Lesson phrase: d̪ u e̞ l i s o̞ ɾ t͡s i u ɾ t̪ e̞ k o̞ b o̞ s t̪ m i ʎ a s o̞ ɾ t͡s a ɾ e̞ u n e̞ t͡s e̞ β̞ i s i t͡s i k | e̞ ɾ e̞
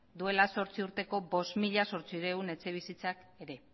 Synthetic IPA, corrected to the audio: d̪ u e̞ l a s o̞ ɾ t͡s i u ɾ t̪ e̞ k o̞ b o̞ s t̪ m i ʎ a s o̞ ɾ t͡s i ɾ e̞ u n e̞ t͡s e̞ β̞ i s i t͡s a k | e̞ ɾ e̞